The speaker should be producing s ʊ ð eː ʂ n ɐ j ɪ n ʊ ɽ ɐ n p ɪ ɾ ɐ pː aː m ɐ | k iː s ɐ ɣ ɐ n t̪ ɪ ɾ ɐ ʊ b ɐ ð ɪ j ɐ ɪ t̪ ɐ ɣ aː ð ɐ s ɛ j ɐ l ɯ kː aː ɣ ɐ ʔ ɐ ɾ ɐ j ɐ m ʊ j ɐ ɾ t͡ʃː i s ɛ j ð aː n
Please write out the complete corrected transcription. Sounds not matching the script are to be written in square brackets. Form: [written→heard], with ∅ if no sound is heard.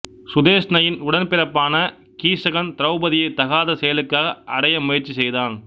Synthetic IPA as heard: s ʊ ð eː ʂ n ɐ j ɪ n ʊ ɽ ɐ n p ɪ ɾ ɐ pː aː [m→n] ɐ | k iː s ɐ ɣ ɐ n t̪ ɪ ɾ ɐ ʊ b ɐ ð ɪ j ɐ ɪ t̪ ɐ ɣ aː ð ɐ s ɛ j ɐ l ɯ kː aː ɣ ɐ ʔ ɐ [ɾ→ɽ] ɐ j ɐ m ʊ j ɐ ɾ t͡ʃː i s ɛ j ð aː n